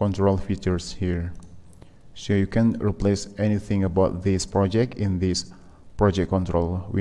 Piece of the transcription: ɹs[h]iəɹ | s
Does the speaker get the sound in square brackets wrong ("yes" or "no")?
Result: no